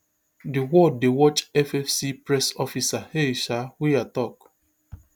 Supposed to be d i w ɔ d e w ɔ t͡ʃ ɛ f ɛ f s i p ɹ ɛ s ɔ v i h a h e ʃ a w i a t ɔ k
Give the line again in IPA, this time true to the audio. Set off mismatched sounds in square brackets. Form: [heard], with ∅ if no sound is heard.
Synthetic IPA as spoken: d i w ɔ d e w ɔ t͡ʃ ɛ f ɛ f s i p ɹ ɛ s ɔ [f] i [s] a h e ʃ a w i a t ɔ k